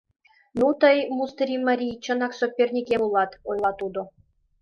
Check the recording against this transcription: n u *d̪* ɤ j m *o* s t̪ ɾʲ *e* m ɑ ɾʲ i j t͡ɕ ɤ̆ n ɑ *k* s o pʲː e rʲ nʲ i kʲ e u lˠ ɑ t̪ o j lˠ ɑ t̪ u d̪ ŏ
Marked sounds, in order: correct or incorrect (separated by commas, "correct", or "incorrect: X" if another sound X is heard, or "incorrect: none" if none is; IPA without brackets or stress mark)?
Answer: incorrect: t̪, incorrect: u, incorrect: i, correct